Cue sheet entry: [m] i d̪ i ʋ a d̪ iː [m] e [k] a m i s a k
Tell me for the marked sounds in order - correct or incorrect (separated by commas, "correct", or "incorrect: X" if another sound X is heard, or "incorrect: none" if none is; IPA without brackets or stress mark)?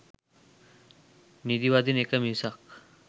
incorrect: n, incorrect: n, correct